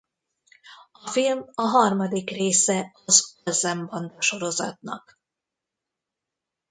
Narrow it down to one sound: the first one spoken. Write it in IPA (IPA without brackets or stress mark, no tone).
ɒ